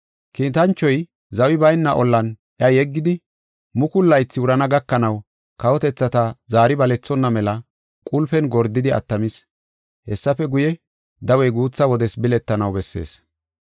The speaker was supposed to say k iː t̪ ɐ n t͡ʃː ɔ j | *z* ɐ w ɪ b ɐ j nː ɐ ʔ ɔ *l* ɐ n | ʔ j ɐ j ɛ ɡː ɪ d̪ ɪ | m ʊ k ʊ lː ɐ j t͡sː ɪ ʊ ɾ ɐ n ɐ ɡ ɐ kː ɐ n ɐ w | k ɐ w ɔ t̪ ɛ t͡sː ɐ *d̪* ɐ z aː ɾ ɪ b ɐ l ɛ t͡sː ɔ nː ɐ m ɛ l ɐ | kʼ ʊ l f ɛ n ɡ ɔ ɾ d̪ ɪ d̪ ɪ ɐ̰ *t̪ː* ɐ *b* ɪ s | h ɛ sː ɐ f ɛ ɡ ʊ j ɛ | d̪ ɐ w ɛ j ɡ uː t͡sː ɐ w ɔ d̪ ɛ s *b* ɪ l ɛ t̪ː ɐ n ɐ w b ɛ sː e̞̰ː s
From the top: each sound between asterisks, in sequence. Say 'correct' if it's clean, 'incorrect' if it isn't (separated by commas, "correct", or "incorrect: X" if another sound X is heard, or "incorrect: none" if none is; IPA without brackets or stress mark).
correct, incorrect: lː, incorrect: t̪, correct, incorrect: m, correct